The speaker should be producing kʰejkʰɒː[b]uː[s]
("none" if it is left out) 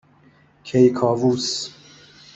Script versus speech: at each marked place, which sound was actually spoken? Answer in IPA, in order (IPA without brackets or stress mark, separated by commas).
v, s